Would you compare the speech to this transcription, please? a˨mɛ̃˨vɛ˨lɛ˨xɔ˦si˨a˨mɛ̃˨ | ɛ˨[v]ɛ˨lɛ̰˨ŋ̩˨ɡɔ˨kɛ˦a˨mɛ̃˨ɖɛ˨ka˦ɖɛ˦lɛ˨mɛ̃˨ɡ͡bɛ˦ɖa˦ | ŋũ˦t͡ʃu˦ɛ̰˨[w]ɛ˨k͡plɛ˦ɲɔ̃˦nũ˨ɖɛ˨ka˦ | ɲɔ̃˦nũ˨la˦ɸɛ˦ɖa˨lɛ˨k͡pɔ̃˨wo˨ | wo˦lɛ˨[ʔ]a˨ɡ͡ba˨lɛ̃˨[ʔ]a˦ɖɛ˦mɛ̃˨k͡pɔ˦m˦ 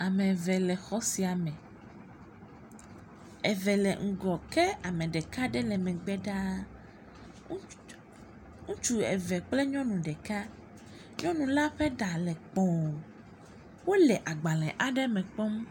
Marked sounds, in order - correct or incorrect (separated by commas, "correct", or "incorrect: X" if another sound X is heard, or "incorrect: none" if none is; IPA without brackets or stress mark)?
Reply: correct, incorrect: v, correct, correct